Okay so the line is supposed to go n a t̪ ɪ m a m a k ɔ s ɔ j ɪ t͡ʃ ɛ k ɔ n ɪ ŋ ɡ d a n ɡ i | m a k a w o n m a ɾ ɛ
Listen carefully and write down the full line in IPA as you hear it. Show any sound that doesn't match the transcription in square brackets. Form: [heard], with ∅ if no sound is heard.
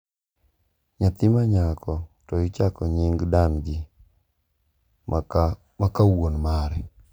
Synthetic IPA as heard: [ɲ] a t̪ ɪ m a [ɲ] a k ɔ [t] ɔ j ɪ t͡ʃ [a] k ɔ [ɲ] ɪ ŋ ɡ d a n ɡ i | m a k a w o n m a ɾ ɛ